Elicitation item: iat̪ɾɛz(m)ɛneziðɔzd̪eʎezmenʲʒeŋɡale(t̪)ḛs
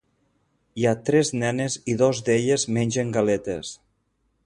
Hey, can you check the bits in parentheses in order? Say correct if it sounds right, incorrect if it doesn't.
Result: incorrect: n, correct

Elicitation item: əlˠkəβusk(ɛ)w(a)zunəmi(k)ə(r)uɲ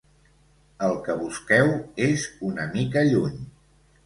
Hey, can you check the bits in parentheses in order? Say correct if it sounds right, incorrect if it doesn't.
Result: correct, incorrect: e, correct, incorrect: ʎ

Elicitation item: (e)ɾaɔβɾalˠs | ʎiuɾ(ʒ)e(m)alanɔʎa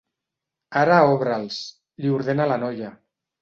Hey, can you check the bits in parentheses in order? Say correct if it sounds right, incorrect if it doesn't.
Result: incorrect: a, incorrect: ð, incorrect: n

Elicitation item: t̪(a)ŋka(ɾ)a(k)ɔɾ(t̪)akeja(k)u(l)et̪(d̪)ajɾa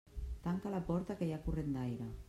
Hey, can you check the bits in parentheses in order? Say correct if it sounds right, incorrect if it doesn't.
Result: correct, incorrect: l, incorrect: p, correct, correct, incorrect: r, correct

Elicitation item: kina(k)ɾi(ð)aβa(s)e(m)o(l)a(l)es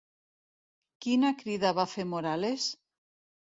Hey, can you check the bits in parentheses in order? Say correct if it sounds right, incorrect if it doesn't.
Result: correct, correct, incorrect: f, correct, incorrect: ɾ, correct

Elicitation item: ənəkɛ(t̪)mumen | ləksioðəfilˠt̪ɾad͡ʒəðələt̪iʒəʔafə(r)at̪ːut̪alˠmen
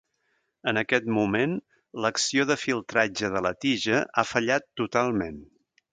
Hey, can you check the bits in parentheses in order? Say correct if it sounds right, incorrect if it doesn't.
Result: correct, incorrect: ʎ

